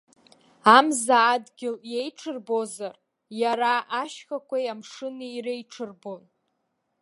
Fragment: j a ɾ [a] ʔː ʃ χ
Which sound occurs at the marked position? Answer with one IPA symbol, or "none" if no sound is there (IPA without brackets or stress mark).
a